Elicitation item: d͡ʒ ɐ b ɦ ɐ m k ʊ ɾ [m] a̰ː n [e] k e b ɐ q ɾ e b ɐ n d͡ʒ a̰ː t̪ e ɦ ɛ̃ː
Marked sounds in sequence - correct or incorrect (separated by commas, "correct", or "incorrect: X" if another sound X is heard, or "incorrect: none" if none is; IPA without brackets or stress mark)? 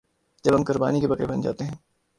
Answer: incorrect: b, incorrect: i